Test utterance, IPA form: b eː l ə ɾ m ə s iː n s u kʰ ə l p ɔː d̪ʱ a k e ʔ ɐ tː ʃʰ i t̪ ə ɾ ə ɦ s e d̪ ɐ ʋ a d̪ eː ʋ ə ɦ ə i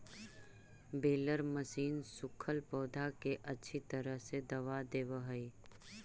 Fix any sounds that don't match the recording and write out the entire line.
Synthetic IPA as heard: b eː l ə ɾ m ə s iː n s ʊ kʰ ə l p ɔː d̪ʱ a k e ʔ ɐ tː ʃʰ i t̪ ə ɾ ə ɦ s e d̪ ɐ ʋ a d̪ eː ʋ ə ɦ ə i